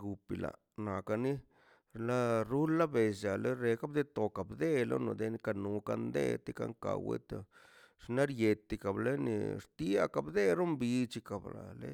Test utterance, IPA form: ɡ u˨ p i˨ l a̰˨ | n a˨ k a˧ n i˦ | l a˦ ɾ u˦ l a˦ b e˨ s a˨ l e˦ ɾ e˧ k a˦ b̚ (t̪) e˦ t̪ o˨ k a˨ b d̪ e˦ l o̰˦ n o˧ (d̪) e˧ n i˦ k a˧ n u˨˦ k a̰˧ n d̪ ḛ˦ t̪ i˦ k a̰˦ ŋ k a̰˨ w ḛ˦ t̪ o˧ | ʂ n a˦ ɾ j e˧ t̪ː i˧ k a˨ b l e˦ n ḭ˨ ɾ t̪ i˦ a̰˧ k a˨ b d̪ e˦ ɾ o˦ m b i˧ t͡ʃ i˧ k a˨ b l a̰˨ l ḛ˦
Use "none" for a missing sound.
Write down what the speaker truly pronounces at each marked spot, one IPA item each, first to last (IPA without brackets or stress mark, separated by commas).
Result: d̪, d̪